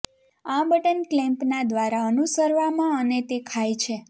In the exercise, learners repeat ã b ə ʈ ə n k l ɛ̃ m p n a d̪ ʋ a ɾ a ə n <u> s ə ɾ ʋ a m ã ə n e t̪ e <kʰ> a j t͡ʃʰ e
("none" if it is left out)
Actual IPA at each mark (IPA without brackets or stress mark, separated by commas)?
u, kʰ